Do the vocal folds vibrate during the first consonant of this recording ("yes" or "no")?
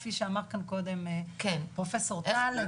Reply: no